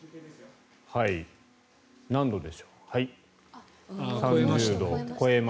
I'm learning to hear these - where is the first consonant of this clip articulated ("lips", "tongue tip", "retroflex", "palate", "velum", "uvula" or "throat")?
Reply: throat